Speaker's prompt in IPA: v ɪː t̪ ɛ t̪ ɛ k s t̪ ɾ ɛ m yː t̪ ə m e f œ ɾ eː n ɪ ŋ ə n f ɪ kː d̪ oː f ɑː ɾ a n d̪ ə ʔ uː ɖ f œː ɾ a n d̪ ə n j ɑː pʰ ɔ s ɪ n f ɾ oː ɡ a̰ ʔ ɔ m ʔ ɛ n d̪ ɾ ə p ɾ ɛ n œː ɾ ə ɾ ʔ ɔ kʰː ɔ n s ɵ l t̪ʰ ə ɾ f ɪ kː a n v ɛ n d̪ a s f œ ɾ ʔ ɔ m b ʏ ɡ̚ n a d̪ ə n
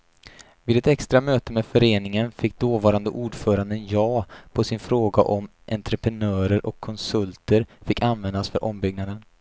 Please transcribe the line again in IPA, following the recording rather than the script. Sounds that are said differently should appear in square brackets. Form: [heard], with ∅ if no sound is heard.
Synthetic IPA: v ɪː [d̪] ɛ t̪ ɛ k s t̪ ɾ [a] m [øː] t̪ ə m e f œ ɾ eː n ɪ ŋ ə n f ɪ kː d̪ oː [v] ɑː ɾ a n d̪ ə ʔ uː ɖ f œː ɾ a n d̪ ə n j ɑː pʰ ɔ s ɪ n f ɾ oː ɡ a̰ ʔ ɔ m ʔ ɛ n [t̪] ɾ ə p ɾ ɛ n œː ɾ ə ɾ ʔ ɔ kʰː ɔ n s ɵ l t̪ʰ ə ɾ f ɪ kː a n v ɛ n d̪ a s f œ ɾ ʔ ɔ m b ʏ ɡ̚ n a d̪ ə n